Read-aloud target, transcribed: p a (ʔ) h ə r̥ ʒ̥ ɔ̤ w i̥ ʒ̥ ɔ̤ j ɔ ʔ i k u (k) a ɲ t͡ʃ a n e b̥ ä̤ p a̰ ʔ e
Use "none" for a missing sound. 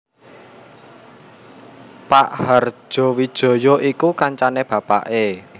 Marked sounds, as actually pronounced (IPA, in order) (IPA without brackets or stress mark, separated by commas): ʔ, k